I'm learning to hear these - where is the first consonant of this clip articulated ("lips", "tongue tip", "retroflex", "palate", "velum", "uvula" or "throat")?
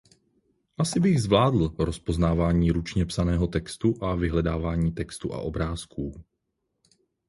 throat